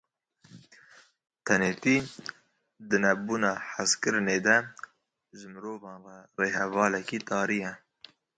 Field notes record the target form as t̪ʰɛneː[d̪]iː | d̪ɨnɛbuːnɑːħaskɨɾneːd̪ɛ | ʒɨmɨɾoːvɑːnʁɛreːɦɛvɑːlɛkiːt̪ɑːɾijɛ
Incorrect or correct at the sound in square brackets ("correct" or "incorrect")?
incorrect